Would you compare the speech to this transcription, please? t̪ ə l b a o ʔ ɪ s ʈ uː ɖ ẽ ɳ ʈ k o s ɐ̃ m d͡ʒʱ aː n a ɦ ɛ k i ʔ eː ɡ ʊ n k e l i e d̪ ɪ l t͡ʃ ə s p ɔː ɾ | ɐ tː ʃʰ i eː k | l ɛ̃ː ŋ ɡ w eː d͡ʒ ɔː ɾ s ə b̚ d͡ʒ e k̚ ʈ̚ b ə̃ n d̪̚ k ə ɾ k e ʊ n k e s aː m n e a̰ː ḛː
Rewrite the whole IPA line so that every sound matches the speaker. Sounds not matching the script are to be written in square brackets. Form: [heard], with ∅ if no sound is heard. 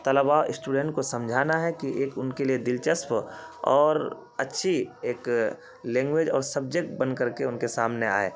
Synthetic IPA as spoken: t̪ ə l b a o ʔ ɪ s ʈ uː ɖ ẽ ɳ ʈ k o s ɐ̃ m d͡ʒʱ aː n a ɦ ɛ k i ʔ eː [k] ʊ n k e l i e d̪ ɪ l t͡ʃ ə s p ɔː ɾ | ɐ tː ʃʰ i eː k | l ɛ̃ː ŋ ɡ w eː d͡ʒ ɔː ɾ s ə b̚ d͡ʒ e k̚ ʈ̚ b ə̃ n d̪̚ k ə ɾ k e ʊ n k e s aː m n e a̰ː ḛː